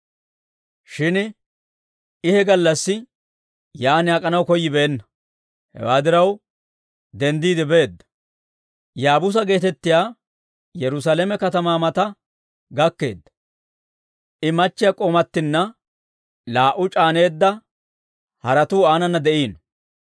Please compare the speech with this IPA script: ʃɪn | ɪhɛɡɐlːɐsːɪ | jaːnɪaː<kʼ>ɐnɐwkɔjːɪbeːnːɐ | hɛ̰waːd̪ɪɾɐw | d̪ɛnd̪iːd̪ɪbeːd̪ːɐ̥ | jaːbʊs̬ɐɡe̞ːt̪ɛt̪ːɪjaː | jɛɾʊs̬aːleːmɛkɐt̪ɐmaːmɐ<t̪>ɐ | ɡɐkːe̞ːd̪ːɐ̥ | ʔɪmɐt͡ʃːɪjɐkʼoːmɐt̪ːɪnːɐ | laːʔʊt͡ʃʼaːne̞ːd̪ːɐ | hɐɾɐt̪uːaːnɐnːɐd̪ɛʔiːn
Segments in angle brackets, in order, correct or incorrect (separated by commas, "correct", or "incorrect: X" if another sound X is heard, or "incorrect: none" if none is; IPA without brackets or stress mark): correct, correct